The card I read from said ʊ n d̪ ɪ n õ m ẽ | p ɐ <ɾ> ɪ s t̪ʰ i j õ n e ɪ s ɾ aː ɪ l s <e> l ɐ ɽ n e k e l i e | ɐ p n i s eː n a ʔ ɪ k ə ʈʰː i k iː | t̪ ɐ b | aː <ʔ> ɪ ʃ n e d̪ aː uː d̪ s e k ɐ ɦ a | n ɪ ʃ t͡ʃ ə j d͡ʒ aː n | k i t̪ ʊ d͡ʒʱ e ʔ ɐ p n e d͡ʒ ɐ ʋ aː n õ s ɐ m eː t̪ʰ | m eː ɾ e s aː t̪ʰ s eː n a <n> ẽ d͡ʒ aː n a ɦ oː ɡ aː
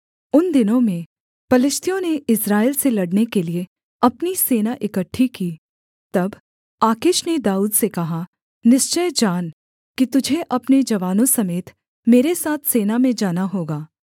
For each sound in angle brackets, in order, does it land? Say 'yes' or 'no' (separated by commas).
no, yes, no, no